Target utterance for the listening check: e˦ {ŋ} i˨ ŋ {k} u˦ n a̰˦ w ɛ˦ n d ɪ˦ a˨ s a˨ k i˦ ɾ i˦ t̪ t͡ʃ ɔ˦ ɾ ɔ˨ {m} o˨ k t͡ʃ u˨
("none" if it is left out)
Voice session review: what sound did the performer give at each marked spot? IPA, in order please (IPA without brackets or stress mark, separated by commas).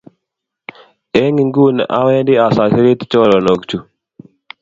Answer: ŋ, ɡ, n